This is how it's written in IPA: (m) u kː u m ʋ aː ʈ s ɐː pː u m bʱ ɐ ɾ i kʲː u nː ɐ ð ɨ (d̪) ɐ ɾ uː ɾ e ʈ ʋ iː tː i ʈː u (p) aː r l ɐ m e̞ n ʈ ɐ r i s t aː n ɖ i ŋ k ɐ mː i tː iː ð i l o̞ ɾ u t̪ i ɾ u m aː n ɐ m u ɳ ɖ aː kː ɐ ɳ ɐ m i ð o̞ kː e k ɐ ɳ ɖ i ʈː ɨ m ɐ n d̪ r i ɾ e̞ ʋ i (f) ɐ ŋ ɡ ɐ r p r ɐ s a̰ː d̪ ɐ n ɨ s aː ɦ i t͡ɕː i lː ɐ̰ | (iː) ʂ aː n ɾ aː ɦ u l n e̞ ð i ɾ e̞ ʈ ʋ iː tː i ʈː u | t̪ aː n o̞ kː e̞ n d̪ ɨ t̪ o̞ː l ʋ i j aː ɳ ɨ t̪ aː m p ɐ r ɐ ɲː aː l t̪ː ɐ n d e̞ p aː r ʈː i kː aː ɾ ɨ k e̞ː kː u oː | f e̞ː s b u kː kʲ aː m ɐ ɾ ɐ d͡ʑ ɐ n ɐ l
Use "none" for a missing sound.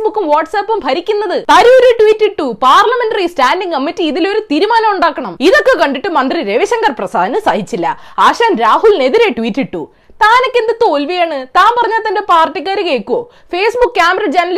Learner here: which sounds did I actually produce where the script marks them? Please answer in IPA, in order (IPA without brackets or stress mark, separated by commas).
b, t̪, p, ɕ, aː